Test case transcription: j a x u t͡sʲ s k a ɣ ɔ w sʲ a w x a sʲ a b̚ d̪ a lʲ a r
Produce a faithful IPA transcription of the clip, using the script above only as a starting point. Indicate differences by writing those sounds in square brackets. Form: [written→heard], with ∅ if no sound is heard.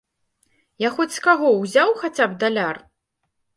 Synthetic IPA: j a x [u→ɔ] t͡sʲ s k a ɣ ɔ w [sʲ→zʲ] a w x a [sʲ→t͡sʲ] a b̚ d̪ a lʲ a r